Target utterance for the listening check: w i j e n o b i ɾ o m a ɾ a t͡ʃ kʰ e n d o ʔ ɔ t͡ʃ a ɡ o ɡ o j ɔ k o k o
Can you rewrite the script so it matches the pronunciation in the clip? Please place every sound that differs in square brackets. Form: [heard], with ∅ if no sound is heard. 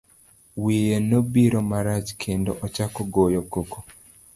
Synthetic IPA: w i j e n o b i ɾ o m a ɾ a t͡ʃ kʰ e n d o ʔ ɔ t͡ʃ a [k] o ɡ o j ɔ k o k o